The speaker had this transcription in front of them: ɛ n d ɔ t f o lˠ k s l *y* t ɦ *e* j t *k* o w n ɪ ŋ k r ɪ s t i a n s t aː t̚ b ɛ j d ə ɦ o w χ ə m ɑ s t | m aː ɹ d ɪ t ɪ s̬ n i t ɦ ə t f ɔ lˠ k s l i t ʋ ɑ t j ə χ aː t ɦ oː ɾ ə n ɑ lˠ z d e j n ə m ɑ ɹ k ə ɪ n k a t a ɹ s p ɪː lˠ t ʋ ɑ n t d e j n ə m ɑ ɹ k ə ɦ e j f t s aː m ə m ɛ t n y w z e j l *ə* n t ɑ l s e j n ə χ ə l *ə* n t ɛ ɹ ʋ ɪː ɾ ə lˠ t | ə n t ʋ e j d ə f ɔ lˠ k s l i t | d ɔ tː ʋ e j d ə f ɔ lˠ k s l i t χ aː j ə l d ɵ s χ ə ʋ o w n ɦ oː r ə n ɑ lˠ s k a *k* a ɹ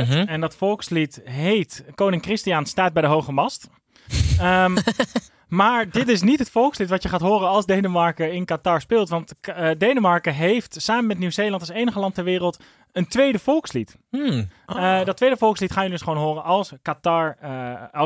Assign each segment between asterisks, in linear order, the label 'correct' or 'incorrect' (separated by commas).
incorrect, correct, correct, incorrect, incorrect, incorrect